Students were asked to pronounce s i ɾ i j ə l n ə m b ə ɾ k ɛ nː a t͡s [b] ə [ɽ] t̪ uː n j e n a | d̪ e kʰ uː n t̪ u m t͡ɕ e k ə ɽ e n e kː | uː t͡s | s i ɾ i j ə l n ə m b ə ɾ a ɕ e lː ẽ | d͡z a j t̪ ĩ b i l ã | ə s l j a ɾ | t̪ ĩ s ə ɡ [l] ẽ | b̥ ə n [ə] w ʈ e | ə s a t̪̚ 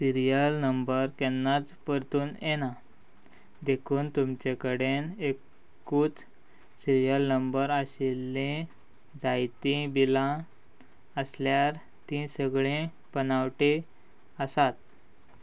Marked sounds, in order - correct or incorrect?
incorrect: p, incorrect: ɾ, incorrect: ɭ, incorrect: a

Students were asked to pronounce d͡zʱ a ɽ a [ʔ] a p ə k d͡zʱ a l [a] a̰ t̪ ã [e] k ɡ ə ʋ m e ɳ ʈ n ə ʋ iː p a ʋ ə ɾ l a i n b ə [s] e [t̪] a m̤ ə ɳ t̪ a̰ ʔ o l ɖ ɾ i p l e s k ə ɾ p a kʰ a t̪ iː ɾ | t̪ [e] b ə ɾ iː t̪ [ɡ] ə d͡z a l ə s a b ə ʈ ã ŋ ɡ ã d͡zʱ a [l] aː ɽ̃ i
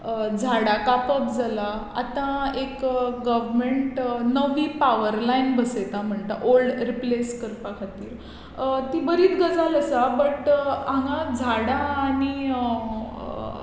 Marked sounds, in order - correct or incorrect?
incorrect: k, correct, correct, correct, correct, incorrect: i, correct, incorrect: ɽ

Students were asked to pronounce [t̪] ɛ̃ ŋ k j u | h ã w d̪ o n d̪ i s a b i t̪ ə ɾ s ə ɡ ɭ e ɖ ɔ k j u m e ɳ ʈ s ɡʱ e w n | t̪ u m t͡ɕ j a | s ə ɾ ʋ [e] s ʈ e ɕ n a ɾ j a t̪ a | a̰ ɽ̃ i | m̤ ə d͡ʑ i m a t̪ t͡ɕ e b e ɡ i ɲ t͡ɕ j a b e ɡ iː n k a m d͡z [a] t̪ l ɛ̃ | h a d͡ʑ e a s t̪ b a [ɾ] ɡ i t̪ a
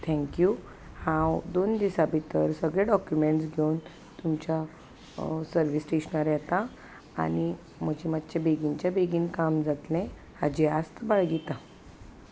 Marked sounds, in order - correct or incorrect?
incorrect: t̪ʰ, incorrect: i, correct, incorrect: ɭ

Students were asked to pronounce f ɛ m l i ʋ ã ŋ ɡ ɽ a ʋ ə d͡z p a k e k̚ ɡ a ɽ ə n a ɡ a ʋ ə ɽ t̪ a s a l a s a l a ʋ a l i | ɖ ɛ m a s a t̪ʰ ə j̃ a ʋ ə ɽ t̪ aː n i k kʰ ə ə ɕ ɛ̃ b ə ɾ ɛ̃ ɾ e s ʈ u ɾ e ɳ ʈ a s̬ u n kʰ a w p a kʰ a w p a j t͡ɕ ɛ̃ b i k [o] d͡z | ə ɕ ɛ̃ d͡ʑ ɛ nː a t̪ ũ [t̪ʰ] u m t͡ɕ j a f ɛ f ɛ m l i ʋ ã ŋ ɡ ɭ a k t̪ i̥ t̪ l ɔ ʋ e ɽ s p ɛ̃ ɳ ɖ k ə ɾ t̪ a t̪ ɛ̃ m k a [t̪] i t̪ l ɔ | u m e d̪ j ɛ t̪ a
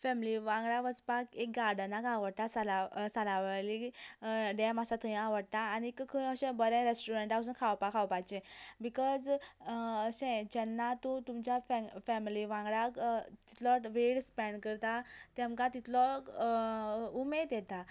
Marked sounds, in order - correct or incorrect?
incorrect: ɔ, incorrect: t̪, correct

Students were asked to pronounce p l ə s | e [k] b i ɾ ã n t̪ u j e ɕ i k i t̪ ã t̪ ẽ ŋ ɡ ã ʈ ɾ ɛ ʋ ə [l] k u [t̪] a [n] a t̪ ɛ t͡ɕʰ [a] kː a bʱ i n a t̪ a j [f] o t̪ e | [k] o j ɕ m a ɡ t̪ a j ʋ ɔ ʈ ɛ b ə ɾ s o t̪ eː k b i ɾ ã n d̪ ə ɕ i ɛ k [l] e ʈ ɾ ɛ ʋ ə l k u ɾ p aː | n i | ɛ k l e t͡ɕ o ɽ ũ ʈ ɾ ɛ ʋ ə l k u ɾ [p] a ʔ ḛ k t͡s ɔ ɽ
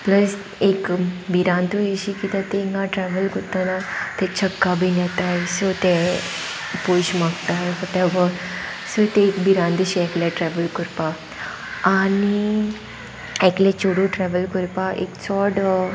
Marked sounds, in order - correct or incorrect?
correct, correct, correct, correct, incorrect: ə, incorrect: s, incorrect: p, correct, correct

